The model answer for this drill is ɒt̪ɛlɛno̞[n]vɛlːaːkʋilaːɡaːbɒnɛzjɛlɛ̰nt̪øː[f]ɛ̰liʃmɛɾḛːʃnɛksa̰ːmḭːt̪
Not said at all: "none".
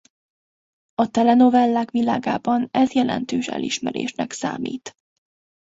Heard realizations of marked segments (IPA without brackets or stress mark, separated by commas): none, ʃ